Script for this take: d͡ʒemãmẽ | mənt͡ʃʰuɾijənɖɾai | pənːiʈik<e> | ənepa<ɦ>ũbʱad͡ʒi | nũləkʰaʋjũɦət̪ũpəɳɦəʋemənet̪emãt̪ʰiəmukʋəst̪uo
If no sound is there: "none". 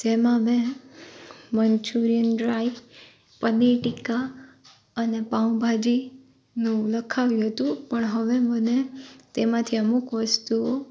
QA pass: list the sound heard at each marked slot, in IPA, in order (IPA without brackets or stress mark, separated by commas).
a, none